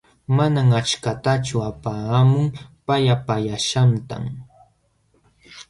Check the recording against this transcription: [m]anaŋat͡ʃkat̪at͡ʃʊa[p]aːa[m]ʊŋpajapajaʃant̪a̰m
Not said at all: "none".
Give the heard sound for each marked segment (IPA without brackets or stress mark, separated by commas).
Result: m, p, m